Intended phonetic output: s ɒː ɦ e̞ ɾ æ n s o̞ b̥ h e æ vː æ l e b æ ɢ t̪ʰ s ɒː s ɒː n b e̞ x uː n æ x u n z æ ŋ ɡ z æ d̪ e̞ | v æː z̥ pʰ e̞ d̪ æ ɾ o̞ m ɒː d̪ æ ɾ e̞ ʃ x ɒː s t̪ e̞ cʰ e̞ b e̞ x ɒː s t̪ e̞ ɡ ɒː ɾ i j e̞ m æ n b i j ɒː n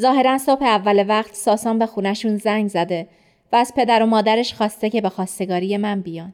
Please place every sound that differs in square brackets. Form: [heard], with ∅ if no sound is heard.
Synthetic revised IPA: [z] ɒː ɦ e̞ ɾ æ n s o̞ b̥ h e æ vː æ l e [v] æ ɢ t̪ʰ s ɒː s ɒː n b e̞ x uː n æ [ʃ] u n z æ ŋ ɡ z æ d̪ e̞ | v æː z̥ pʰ e̞ d̪ æ ɾ o̞ m ɒː d̪ æ ɾ e̞ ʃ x ɒː s t̪ e̞ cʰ e̞ b e̞ x ɒː s t̪ e̞ ɡ ɒː ɾ i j e̞ m æ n b i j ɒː n